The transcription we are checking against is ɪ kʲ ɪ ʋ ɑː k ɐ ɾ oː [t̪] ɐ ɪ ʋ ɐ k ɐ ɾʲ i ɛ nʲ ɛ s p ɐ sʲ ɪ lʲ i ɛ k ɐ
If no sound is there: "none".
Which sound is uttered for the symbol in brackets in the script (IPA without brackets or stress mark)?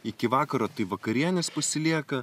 t̪